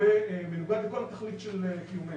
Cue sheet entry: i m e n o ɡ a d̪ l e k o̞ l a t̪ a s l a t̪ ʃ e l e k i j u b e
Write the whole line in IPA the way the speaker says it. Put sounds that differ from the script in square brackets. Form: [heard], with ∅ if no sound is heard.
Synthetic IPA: [e] m e n [u] ɡ a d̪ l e k o̞ l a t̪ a [χ] l [i] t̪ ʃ e l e k i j u [m] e